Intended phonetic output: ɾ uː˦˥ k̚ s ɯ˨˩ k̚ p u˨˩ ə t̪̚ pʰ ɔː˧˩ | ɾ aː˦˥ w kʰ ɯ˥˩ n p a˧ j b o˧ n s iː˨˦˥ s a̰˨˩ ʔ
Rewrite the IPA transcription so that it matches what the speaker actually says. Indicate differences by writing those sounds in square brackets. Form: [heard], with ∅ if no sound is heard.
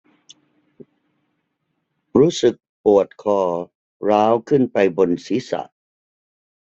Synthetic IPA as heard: ɾ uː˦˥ [∅] s ɯ˨˩ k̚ p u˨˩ ə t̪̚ [kʰ] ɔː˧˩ | ɾ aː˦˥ w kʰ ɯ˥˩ n p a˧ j b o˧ n s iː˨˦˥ s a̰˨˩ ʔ